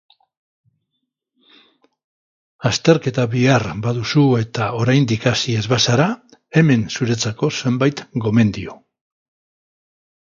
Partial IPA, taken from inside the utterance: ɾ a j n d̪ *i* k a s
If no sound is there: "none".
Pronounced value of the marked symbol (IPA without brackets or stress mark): i